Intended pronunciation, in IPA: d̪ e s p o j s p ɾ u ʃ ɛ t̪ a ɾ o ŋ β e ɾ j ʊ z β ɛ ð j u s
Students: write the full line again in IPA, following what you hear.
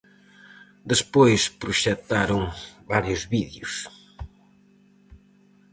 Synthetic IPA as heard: d̪ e s p o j s p ɾ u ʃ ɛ t̪ a ɾ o ŋ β a ɾ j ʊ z β i ð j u s

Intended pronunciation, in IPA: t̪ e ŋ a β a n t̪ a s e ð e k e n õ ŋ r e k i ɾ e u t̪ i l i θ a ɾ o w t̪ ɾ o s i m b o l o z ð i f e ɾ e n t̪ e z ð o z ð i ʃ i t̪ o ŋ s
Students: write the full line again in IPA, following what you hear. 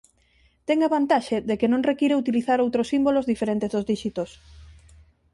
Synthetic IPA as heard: t̪ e ŋ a β a n t̪ a ʃ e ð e k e n õ ŋ r e k i ɾ e u t̪ i l i θ a ɾ o w t̪ ɾ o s i m b o l o z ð i f e ɾ e n t̪ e z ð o z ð i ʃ i t̪ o s

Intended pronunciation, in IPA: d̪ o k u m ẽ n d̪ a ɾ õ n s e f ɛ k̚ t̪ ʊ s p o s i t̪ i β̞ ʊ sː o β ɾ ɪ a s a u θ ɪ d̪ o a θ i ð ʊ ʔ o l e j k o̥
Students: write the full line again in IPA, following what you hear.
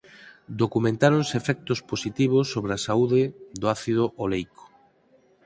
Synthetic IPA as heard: d̪ o k u m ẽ n t̪ a ɾ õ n s e f ɛ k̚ t̪ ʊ s p o s i t̪ i β̞ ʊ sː o β ɾ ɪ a s a u ð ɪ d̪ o a θ i ð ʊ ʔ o l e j k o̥

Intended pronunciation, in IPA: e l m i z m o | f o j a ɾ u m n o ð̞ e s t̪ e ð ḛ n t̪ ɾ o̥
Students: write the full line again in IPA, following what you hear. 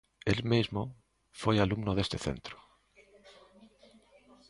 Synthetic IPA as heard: e l m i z m o | f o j a l u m n o ð̞ e s t̪ e θ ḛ n t̪ ɾ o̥

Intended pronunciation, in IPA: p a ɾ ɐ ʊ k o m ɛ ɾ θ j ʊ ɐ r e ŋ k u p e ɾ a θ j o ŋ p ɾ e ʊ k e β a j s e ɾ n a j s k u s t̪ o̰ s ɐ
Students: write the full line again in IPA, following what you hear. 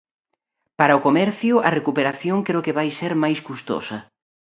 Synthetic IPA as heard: p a ɾ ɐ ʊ k o m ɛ ɾ θ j ʊ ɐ r e k u p e ɾ a θ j o ŋ k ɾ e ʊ k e β a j s e ɾ m a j s k u s t̪ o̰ s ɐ

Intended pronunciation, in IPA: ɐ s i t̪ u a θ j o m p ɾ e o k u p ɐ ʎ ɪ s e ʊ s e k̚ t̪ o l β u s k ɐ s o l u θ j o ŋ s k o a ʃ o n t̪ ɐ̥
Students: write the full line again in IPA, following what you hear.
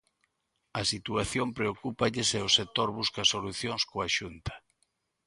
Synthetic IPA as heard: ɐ s i t̪ u a θ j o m p ɾ e o k u p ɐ ʎ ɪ s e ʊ s e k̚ t̪ o ɾ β u s k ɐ s o l u θ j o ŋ s k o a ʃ u n t̪ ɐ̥

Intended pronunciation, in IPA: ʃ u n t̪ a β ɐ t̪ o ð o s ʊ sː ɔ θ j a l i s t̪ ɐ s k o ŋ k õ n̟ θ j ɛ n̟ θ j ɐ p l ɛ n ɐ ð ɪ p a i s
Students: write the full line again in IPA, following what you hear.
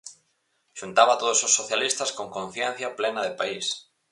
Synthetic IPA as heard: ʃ u n t̪ a β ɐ t̪ o ð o s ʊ sː o θ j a l i s t̪ ɐ s k o ŋ k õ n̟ θ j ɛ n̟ θ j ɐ p l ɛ n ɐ ð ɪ p a i s

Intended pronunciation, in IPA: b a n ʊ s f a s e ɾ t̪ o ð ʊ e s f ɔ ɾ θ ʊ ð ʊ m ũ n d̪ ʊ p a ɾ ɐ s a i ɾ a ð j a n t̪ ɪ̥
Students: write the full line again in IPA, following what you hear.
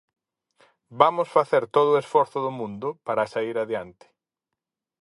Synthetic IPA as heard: b a m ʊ s f a θ e ɾ t̪ o ð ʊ e s f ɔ ɾ θ ʊ ð ʊ m ũ n d̪ ʊ p a ɾ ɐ s a i ɾ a ð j a n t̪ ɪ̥

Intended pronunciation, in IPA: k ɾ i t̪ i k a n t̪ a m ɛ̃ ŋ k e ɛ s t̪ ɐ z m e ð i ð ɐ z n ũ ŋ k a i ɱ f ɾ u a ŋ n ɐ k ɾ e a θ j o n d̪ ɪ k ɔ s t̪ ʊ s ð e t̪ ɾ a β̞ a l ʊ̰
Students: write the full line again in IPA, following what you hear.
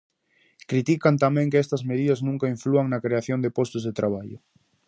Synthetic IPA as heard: k ɾ i t̪ i k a n t̪ a m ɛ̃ ŋ k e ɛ s t̪ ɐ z m e ð i ð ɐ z n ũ ŋ k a i ɱ f l u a ŋ n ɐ k ɾ e a θ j o n d̪ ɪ p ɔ s t̪ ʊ z ð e t̪ ɾ a β̞ a ʎ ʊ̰

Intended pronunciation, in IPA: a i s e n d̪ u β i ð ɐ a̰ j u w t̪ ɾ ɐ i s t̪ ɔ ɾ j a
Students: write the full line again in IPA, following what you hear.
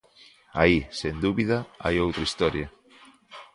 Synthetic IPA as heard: a i s e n d̪ u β i ð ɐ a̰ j o w t̪ ɾ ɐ i s t̪ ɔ ɾ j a

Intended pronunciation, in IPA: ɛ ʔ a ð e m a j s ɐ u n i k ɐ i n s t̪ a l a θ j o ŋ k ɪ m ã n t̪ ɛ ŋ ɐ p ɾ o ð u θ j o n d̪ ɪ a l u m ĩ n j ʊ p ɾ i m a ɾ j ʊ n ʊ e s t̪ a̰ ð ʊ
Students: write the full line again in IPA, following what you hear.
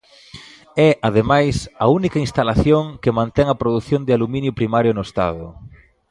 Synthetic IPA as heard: ɛ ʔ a ð e m a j s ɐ u n i k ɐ i n s t̪ a l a θ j o ŋ k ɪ m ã n t̪ ɛ ŋ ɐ p ɾ o ð u θ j o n d̪ ɪ a l u m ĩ n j ʊ p ɾ i m a ɾ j ʊ n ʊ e s t̪ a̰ ð ʊ

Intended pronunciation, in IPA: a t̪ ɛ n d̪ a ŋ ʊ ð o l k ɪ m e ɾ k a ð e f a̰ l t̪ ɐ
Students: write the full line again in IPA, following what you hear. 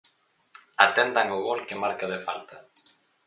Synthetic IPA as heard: a t̪ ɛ n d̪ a ŋ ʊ ɣ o l k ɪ m a ɾ k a ð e f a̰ l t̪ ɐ

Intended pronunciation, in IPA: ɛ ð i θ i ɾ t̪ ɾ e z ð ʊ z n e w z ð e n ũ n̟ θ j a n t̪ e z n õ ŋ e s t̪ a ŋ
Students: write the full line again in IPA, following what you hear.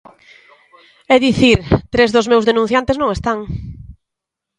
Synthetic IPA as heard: ɛ ð i θ i ɾ t̪ ɾ e z ð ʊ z m e w z ð e n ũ n̟ θ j a n t̪ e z n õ ŋ e s t̪ a ŋ

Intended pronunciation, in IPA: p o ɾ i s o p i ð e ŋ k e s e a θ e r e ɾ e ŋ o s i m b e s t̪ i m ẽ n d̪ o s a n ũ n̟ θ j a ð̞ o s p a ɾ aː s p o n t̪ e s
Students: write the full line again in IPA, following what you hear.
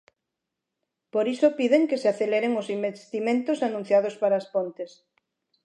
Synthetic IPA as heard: p o ɾ i s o p i ð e ŋ k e s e a θ e l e ɾ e ŋ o s i m b e s t̪ i m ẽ n t̪ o s a n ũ n̟ θ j a ð̞ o s p a ɾ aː s p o n t̪ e s

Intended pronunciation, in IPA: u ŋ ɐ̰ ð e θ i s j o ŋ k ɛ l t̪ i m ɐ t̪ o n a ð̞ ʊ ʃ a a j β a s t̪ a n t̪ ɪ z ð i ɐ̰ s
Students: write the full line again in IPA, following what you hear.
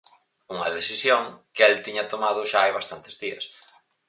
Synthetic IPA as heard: u ŋ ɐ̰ ð e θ i s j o ŋ k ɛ l t̪ i ɲ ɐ t̪ o m a ð̞ ʊ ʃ a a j β a s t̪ a n t̪ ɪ z ð i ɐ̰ s

